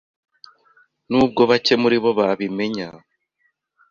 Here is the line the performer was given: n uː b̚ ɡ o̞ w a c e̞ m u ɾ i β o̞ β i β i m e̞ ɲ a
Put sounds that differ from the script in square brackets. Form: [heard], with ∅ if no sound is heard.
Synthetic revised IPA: n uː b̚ ɡ o̞ [β] a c e̞ m u ɾ i β o̞ β [a] β i m e̞ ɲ a